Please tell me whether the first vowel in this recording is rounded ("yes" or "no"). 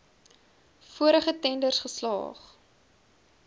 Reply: yes